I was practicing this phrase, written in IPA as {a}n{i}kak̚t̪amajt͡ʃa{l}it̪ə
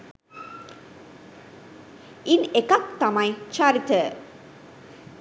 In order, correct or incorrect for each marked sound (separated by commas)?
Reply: incorrect, incorrect, incorrect